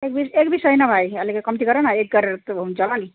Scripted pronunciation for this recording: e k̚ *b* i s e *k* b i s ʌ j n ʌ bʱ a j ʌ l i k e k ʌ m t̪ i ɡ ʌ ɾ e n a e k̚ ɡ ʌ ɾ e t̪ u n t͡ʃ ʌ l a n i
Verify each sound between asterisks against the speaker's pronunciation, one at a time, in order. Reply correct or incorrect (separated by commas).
correct, correct